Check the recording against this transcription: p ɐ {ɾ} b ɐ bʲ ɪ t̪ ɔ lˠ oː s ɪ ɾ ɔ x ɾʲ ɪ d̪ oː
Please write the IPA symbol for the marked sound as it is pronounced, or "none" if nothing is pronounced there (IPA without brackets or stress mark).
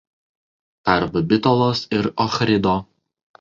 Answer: ɾ